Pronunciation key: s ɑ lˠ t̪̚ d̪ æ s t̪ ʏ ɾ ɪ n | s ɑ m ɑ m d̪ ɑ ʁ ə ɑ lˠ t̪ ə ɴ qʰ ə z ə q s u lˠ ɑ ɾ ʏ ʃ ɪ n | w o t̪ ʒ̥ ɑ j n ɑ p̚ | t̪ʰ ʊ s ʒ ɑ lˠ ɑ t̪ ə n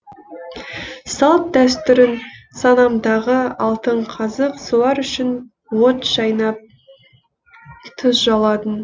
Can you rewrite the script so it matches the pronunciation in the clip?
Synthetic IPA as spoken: s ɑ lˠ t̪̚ d̪ æ s t̪ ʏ ɾ ɪ n | s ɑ n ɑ m d̪ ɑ ʁ ə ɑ lˠ t̪ ə ɴ qʰ ɑ z ə q s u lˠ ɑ ɾ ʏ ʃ ɪ n | w o t̪ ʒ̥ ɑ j n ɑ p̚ | t̪ʰ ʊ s ʒ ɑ lˠ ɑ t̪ ə n